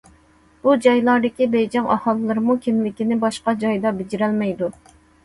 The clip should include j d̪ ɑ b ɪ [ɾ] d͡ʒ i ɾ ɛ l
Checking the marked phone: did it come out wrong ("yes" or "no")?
yes